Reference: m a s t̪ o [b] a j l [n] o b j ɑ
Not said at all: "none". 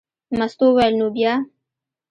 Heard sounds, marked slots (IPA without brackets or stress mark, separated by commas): w, n